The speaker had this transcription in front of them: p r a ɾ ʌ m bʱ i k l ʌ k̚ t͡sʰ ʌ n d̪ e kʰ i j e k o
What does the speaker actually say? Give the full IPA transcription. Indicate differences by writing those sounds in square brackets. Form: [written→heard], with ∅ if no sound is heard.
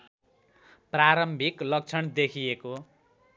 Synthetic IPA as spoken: p r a ɾ ʌ m bʱ i k l ʌ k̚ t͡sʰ ʌ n d̪ e kʰ i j e k o